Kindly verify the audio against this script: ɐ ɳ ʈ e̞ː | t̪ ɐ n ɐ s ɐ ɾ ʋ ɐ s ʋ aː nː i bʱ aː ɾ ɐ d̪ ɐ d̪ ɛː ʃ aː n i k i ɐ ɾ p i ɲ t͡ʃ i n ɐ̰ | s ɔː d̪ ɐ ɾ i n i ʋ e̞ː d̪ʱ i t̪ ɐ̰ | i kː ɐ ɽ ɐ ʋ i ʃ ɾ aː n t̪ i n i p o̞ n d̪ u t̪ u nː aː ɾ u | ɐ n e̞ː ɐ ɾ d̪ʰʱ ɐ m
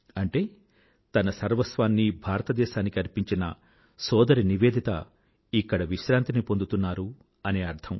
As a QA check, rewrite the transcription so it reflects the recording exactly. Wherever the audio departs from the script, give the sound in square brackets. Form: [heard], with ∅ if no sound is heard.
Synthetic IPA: ɐ ɳ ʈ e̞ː | t̪ ɐ n ɐ s ɐ ɾ ʋ ɐ s ʋ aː nː i bʱ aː ɾ ɐ [t̪] ɐ d̪ ɛː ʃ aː n i k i ɐ ɾ p i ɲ t͡ʃ i n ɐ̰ | s ɔː d̪ ɐ ɾ i n i ʋ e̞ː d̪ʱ i t̪ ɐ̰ | i kː ɐ ɽ ɐ ʋ i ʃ ɾ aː n t̪ i n i p o̞ n d̪ u t̪ u nː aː ɾ u | ɐ n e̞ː ɐ ɾ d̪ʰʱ ɐ m